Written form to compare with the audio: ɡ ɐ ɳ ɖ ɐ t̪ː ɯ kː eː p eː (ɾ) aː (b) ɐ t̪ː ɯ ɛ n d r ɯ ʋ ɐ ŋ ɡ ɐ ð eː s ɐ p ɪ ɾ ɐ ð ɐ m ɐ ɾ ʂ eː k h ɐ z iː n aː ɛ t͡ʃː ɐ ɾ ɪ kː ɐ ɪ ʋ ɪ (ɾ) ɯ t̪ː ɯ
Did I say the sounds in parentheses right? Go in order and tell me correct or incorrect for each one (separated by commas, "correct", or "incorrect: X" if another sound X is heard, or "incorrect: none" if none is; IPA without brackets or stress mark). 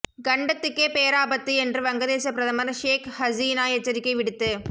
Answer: correct, correct, incorrect: ɽ